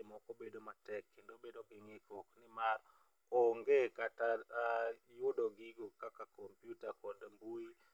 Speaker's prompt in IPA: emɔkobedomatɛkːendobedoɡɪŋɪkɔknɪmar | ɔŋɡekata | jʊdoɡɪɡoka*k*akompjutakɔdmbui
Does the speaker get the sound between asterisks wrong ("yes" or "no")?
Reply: no